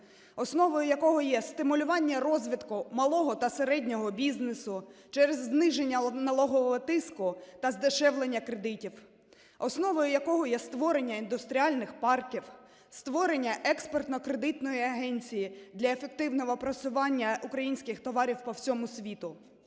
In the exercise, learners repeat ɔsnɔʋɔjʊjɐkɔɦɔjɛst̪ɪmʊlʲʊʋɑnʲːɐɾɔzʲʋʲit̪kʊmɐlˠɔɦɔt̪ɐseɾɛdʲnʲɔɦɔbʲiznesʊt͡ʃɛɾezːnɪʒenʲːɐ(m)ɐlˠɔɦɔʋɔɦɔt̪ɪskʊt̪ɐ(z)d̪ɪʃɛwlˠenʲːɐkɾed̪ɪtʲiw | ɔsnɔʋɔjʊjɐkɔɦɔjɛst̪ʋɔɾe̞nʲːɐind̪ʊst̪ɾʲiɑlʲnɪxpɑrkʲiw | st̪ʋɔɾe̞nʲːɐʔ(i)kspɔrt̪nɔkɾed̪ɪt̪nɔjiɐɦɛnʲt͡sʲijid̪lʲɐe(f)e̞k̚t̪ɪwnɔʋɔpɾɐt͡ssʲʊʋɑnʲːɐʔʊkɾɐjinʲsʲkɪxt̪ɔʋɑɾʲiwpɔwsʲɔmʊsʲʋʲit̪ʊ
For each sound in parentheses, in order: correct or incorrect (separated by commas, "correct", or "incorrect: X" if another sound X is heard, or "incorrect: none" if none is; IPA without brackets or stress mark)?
incorrect: n, correct, incorrect: ɛ, correct